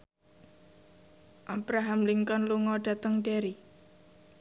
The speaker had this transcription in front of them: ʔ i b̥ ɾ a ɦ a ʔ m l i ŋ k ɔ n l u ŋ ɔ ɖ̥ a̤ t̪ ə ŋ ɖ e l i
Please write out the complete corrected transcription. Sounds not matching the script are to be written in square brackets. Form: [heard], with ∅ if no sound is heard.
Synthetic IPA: ʔ [a] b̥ ɾ a ɦ a [∅] m l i ŋ k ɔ n l u ŋ ɔ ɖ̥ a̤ t̪ ə ŋ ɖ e [ɾ] i

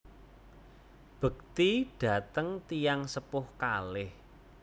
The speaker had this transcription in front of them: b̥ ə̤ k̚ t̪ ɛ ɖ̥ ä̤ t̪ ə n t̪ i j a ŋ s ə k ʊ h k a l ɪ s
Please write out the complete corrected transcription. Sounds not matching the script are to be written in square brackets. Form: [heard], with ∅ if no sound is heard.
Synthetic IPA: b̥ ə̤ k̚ t̪ [i] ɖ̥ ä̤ t̪ ə [ŋ] t̪ i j a ŋ s ə [p] ʊ h k a l ɪ [h]

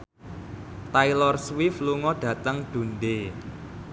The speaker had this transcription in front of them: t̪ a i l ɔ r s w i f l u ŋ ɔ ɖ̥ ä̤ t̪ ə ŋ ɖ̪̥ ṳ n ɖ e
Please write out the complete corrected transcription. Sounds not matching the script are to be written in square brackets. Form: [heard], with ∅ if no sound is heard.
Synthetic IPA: t̪ a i l ɔ r s w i f l u ŋ ɔ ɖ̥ ä̤ t̪ ə ŋ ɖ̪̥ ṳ n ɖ e

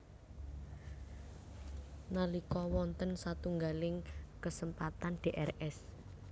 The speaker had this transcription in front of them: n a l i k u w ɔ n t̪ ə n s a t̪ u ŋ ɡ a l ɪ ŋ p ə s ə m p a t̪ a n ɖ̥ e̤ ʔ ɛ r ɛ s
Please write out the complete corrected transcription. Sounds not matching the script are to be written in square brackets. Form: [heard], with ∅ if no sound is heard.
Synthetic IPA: n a l i k [ɔ] w ɔ n t̪ ə n s a t̪ u ŋ ɡ a l ɪ ŋ [k] ə s ə m p a t̪ a n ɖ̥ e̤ ʔ ɛ r ɛ s

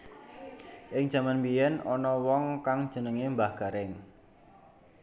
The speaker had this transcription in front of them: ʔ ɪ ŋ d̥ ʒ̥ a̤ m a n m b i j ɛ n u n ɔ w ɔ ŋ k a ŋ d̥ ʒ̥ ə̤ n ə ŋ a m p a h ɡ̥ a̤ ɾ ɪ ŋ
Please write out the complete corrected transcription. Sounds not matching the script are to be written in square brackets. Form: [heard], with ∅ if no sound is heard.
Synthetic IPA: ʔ ɪ ŋ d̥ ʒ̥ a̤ m a n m b i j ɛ n [ɔ] n ɔ w ɔ ŋ k a ŋ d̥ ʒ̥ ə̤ n ə ŋ [e] m [b] a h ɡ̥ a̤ ɾ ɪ ŋ

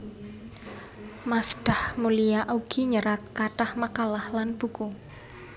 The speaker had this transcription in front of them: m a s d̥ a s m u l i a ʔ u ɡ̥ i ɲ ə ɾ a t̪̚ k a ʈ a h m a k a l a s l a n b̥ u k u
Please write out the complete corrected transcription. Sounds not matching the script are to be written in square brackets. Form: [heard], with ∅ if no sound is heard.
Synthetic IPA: m a s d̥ a [h] m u l i a ʔ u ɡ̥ i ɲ ə ɾ a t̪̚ k a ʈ a h m a k a l a [h] l a n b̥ u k u

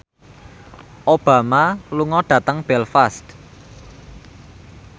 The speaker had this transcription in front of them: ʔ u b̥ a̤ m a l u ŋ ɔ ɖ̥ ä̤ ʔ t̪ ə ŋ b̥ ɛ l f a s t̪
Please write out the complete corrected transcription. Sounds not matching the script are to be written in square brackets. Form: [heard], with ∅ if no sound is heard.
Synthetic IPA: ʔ [o] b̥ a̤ m a l u ŋ ɔ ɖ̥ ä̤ [∅] t̪ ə ŋ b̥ ɛ l f a s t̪

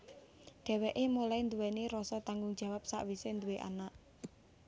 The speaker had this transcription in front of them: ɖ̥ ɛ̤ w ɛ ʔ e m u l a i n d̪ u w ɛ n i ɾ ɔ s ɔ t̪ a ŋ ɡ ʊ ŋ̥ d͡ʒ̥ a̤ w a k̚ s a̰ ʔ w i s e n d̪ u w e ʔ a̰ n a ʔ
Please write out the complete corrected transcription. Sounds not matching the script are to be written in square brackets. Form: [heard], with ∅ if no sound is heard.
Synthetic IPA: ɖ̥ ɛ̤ w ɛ ʔ e m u l a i n d̪ u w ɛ n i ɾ ɔ s ɔ t̪ a ŋ ɡ ʊ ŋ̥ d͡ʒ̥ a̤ w a [p̚] s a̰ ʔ w i s e n d̪ u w e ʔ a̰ n a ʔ

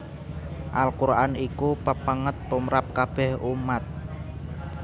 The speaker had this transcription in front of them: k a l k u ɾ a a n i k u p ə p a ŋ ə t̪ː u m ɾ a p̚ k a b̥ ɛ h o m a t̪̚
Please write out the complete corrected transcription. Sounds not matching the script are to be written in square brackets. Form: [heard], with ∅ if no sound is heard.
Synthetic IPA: [ʔ] a l k u ɾ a a n i k u p ə p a ŋ ə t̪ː u m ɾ a p̚ k a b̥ ɛ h [u] m a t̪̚

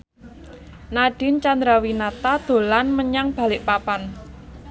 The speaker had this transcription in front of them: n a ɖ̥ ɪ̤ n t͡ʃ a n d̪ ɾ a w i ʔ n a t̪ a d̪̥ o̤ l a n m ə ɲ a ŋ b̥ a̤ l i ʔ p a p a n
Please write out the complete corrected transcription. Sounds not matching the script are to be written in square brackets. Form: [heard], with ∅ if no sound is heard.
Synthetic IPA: n a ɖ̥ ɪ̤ n t͡ʃ a n d̪ ɾ a w i [∅] n a t̪ a d̪̥ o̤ l a n m ə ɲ a ŋ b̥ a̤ l [ɪ] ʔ p a p a n

